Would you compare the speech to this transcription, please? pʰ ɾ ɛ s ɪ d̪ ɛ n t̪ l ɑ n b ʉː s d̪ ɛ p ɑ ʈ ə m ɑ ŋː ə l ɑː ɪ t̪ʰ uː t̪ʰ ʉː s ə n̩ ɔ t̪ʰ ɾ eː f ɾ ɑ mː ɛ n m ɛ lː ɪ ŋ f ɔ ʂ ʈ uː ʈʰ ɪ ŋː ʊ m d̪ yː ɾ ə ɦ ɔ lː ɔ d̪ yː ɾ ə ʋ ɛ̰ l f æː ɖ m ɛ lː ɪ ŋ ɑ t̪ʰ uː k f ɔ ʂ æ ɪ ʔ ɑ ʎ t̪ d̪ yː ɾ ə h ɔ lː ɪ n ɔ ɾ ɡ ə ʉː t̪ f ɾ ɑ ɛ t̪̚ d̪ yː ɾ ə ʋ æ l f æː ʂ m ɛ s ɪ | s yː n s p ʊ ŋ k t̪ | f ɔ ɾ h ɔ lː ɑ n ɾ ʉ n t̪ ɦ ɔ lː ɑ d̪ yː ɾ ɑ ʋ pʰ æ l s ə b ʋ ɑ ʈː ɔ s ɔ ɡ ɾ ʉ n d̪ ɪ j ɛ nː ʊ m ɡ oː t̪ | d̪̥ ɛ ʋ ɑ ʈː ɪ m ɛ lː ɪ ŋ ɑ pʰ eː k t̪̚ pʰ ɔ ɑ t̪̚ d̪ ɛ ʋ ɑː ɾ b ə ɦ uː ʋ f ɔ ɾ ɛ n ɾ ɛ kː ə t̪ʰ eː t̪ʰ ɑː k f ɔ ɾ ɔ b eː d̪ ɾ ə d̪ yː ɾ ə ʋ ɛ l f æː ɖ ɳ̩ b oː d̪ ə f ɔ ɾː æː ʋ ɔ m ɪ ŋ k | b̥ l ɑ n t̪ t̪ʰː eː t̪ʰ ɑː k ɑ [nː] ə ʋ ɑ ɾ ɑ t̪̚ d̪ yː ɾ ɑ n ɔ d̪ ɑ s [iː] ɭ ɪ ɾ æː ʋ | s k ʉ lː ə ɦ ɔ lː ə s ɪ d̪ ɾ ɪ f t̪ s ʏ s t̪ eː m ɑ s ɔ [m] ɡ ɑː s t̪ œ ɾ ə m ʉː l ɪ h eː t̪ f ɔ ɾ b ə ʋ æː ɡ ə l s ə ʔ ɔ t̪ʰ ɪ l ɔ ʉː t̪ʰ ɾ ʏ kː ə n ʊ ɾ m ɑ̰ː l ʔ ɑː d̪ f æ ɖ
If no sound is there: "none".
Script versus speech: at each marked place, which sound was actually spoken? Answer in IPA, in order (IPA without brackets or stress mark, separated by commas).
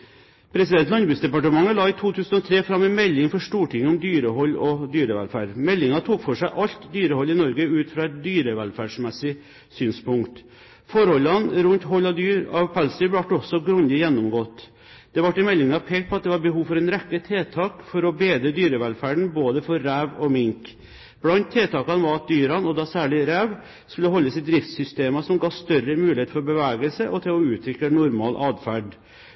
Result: n, æː, m